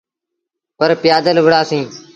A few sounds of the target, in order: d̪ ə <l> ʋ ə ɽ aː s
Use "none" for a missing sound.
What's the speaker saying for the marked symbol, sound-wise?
l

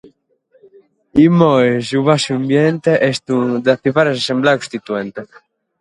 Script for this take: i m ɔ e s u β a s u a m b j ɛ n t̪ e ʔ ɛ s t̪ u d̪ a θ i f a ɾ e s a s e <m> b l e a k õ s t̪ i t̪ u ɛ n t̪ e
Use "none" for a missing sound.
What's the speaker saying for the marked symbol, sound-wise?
m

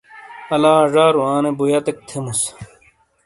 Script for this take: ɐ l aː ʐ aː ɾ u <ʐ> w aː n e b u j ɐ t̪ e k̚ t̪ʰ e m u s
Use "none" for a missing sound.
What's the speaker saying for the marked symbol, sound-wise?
none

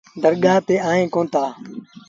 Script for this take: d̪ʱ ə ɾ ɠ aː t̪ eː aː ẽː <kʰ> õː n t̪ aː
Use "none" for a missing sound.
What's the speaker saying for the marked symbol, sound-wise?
k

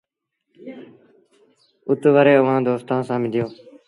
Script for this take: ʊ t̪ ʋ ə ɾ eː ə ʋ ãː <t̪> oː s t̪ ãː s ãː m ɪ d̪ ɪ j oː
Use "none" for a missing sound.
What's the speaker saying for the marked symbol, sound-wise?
d̪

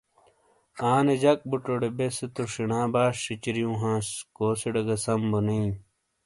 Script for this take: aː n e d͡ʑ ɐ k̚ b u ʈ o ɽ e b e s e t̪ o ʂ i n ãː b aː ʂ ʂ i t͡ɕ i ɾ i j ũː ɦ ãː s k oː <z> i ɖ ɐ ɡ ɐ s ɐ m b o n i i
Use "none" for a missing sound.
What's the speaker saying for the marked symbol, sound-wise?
s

